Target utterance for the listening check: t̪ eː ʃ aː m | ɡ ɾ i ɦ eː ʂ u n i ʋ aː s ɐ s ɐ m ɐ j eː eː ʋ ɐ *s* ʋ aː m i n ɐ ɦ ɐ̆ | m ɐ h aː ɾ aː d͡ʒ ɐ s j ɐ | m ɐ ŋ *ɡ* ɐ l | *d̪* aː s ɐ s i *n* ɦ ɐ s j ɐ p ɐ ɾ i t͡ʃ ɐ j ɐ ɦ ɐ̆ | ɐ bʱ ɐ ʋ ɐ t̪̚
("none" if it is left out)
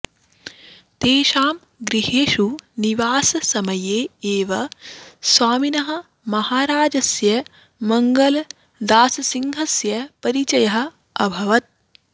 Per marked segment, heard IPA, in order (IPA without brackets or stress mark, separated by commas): s, ɡ, d̪, ŋ